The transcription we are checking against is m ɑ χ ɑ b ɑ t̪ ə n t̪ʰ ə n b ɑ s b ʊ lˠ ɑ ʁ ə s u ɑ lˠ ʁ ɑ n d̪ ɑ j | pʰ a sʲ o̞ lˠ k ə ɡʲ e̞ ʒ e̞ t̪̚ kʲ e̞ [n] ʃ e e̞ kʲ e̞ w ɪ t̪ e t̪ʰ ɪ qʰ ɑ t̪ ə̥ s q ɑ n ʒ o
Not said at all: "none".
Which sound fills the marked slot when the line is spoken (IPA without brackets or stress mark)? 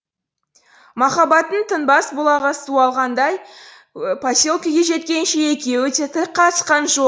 n